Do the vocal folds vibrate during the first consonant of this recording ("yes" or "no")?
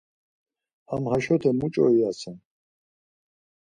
yes